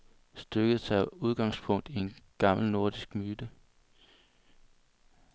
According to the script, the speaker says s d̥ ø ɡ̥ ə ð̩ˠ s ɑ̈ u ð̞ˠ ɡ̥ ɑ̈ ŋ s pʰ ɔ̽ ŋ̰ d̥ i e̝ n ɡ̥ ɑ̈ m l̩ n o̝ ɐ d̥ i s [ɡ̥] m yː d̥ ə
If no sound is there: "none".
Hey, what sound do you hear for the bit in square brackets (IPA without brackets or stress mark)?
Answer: ɡ̥